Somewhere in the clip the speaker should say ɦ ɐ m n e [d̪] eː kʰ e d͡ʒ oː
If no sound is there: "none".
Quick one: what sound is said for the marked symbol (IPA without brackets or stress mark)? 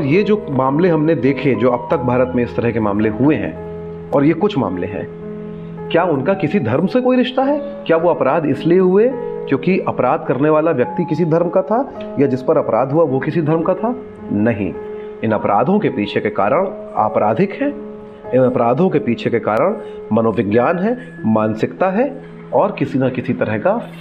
d̪